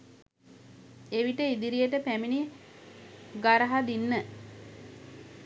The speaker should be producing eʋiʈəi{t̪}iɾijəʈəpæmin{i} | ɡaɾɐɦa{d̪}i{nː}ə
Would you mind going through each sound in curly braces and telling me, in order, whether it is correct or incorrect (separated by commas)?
incorrect, correct, correct, correct